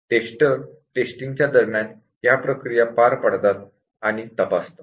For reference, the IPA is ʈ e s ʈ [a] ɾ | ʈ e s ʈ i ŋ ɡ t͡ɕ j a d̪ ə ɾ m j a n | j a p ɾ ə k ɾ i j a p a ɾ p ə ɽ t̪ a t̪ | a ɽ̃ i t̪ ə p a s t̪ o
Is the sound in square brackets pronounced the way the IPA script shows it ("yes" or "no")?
no